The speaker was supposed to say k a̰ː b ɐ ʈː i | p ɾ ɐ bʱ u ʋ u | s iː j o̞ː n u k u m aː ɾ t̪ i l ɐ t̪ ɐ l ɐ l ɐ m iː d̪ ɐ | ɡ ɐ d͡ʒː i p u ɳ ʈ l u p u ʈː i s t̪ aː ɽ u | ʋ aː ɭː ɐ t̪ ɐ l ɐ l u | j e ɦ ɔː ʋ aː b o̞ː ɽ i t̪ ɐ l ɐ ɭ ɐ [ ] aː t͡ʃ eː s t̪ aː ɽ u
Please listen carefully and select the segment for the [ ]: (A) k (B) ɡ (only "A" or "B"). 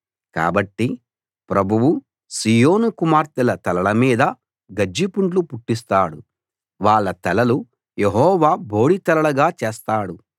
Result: B